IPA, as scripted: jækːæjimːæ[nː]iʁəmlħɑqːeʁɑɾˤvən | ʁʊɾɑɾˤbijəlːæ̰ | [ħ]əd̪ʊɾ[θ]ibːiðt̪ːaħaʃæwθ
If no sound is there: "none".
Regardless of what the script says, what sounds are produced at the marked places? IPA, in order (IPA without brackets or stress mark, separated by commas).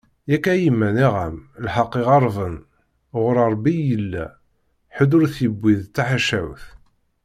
n, ħ, θ